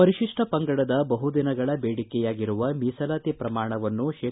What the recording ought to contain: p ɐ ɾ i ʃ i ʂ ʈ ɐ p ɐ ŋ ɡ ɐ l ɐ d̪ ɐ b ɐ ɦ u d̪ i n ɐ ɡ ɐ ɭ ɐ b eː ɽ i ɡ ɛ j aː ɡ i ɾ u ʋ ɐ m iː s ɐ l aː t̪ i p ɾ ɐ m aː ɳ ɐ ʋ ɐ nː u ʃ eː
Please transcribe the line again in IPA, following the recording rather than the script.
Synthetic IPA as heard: p ɐ ɾ i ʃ i ʂ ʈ ɐ p ɐ ŋ ɡ ɐ ɽ ɐ d̪ ɐ b ɐ ɦ u d̪ i n ɐ ɡ ɐ ɭ ɐ b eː ɽ i k ɛ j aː ɡ i ɾ u ʋ ɐ m iː s ɐ l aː t̪ i p ɾ ɐ m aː ɳ ɐ ʋ ɐ nː u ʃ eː

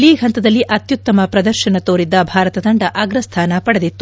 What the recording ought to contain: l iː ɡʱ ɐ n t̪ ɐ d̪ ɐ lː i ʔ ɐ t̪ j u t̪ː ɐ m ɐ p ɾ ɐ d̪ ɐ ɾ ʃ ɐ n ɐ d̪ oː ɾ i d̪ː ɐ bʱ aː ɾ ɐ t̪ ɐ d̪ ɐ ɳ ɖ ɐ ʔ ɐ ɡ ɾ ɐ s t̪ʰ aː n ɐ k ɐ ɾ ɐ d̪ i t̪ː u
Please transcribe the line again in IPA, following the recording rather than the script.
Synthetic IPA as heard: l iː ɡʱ ɐ n t̪ ɐ d̪ ɐ lː i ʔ ɐ t̪ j u t̪ː ɐ m ɐ p ɾ ɐ d̪ ɐ ɾ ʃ ɐ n ɐ t̪ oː ɾ i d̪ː ɐ bʱ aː ɾ ɐ t̪ ɐ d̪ ɐ ɳ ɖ ɐ ʔ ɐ ɡ ɾ ɐ s t̪ʰ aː n ɐ p ɐ ɽ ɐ d̪ i t̪ː u

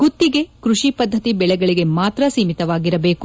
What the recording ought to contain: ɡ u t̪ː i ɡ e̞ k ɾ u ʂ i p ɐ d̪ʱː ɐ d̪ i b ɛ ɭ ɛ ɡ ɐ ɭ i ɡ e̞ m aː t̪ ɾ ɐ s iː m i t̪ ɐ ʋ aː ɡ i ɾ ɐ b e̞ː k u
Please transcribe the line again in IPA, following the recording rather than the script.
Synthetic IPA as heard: ɡ u t̪ː i ɡ e̞ k ɾ u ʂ i p ɐ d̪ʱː ɐ t̪ i b ɛ ɭ ɛ ɡ ɐ ɭ i ɡ e̞ m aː t̪ ɾ ɐ s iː m i t̪ ɐ ʋ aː ɡ i ɾ ɐ b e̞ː k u

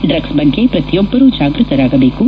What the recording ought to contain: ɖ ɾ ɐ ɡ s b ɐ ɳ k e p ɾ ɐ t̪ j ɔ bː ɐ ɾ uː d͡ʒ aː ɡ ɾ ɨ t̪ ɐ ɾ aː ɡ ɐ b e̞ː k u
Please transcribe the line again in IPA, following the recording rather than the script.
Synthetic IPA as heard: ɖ ɾ ɐ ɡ s b ɐ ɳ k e p ɾ ɐ t̪ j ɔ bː ɐ ɾ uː d͡ʒ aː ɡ ɾ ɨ t̪ ɐ ɾ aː ɡ ɐ b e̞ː k u

